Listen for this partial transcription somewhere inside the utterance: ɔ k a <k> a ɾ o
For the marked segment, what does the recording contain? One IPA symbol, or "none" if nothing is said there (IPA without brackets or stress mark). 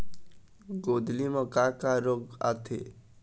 k